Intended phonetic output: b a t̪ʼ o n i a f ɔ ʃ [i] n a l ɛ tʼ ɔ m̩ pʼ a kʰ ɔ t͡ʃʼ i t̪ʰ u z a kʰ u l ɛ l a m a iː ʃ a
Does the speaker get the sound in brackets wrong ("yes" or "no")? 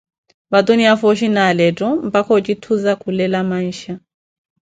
no